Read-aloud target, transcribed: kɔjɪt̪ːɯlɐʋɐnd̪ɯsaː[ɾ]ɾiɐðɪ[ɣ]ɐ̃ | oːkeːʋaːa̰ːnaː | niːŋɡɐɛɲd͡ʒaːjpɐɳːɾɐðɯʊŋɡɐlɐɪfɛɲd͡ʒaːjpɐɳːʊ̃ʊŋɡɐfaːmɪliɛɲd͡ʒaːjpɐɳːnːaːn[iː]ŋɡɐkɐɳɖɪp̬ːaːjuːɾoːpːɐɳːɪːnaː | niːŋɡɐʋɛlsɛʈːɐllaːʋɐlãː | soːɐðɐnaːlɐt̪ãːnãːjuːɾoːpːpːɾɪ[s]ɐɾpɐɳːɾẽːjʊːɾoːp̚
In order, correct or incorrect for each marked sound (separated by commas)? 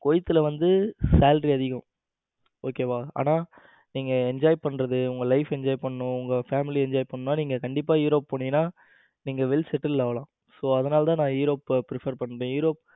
incorrect, correct, correct, incorrect